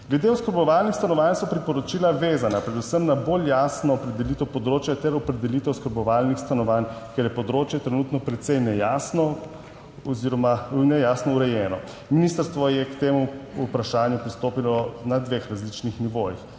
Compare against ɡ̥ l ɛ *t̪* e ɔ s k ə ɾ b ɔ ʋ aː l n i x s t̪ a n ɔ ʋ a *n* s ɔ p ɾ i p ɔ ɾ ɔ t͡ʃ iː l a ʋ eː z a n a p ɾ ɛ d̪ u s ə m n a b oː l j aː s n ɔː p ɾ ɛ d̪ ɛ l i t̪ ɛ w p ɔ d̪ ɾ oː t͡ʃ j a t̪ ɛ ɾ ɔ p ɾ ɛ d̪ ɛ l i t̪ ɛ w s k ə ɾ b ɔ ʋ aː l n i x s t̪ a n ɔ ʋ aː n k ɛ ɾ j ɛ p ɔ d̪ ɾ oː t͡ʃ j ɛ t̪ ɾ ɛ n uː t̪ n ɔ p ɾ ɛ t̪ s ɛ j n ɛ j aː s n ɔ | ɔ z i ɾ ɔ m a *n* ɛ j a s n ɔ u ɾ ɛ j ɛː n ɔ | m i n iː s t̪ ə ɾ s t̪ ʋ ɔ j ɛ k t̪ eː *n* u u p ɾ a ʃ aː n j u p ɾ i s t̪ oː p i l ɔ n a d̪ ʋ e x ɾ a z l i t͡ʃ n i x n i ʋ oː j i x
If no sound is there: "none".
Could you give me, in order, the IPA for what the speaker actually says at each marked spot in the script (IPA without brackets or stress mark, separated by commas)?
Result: d̪, n, n, m